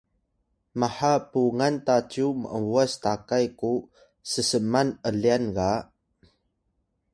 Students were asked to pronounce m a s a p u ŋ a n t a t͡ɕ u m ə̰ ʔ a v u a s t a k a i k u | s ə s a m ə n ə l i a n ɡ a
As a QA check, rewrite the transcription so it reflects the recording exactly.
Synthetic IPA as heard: m a ħ a p u ŋ a n t a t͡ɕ u m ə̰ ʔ ə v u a s t a k a j k u | s ə s ə m a n ə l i a n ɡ a